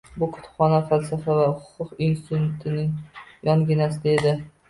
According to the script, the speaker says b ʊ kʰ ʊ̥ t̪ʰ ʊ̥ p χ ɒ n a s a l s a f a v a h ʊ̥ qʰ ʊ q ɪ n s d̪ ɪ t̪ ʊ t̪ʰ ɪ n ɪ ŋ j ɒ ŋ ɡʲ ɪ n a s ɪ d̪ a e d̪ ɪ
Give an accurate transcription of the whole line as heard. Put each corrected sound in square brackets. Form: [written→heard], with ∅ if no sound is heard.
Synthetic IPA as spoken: b ʊ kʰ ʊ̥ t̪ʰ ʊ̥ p χ ɒ n a [s→f] a l s a f a v a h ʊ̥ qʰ ʊ q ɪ n s [d̪→t̪] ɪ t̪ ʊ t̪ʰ ɪ n ɪ ŋ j ɒ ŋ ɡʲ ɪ n a s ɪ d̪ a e d̪ ɪ